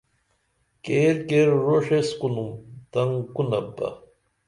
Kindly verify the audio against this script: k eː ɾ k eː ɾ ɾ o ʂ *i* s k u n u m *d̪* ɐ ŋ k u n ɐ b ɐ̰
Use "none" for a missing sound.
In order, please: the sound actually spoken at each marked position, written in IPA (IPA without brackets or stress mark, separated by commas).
e, t̪